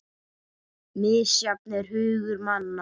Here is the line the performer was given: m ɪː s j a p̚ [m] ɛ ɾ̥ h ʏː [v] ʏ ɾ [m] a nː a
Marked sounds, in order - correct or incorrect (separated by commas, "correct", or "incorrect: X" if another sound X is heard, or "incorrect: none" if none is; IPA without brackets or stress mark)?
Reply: incorrect: n, incorrect: ɣ, correct